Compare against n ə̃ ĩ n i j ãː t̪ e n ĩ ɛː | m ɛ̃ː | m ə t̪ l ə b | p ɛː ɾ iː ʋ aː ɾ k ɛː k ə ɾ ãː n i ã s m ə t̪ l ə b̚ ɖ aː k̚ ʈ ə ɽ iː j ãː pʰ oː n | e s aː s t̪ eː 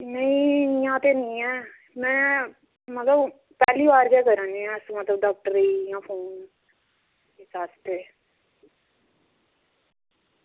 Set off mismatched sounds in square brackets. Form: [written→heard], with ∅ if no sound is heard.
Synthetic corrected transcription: n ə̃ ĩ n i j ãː t̪ e n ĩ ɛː | m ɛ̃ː | m ə t̪ l ə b | p ɛː [ɾ→l] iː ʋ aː ɾ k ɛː k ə ɾ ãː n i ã s m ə t̪ l ə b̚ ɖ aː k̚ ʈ ə [ɽ→ɾ] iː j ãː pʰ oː n | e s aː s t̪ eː